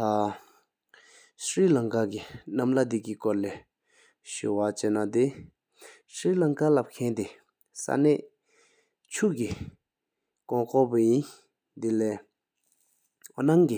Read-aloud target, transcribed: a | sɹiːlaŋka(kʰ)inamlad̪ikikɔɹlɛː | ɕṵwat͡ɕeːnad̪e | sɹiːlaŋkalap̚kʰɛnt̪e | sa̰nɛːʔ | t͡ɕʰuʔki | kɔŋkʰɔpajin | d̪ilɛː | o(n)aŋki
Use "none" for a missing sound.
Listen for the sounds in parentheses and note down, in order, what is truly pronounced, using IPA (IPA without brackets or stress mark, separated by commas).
k, n